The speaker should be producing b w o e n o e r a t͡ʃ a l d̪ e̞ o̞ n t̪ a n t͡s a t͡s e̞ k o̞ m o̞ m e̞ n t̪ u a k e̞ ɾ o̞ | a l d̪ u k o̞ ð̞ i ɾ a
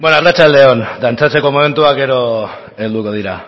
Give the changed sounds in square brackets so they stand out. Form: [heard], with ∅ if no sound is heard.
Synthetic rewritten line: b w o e n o [a] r a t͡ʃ a l d̪ e̞ o̞ n [d̪] a n t͡s a t͡s e̞ k o̞ m o̞ m e̞ n t̪ u a k e̞ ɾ o̞ | [e] l d̪ u k o̞ ð̞ i ɾ a